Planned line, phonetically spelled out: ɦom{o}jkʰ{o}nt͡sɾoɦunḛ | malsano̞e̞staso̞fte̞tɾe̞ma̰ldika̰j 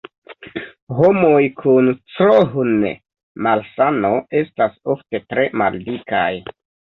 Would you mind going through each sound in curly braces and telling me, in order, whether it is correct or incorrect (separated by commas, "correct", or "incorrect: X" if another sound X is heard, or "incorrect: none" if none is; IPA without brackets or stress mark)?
correct, incorrect: u